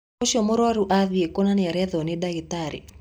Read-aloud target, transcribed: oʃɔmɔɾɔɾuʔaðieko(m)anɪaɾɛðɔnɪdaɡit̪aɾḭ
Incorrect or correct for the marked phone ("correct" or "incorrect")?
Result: incorrect